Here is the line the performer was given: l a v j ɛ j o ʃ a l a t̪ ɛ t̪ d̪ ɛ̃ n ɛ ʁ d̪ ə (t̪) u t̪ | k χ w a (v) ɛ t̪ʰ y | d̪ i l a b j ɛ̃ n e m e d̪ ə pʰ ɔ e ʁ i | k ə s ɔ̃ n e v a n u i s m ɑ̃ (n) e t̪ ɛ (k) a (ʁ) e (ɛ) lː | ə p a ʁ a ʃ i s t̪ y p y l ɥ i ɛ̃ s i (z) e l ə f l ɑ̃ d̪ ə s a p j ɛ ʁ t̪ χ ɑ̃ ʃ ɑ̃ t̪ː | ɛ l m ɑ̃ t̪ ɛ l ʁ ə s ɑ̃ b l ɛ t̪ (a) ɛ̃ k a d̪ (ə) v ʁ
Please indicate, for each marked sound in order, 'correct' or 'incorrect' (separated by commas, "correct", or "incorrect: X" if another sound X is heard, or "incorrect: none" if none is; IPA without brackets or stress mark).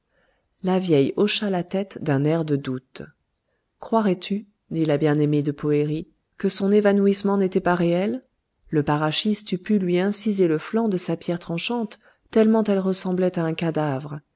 incorrect: d̪, incorrect: ʁ, correct, incorrect: p, correct, correct, correct, correct, incorrect: a